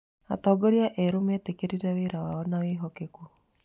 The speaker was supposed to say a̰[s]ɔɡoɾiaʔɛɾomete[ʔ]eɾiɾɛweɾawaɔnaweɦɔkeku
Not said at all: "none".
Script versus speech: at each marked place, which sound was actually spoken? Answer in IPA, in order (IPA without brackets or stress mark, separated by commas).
t, k